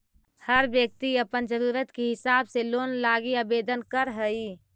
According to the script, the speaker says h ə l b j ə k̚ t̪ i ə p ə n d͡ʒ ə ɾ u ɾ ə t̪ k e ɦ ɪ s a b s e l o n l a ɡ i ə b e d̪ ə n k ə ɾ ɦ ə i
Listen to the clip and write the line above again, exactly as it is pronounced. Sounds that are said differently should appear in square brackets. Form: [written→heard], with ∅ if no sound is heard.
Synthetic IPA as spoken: h ə [l→ɾ] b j ə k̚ t̪ i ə p ə n d͡ʒ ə ɾ u ɾ ə t̪ k e ɦ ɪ s a b s e l o n l a ɡ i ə b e d̪ ə n k ə ɾ ɦ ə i